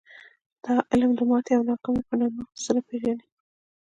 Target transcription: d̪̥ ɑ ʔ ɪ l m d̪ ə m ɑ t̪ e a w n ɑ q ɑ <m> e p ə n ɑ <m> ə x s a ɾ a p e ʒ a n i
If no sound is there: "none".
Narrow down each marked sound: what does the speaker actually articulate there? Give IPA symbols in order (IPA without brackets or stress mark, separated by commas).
m, m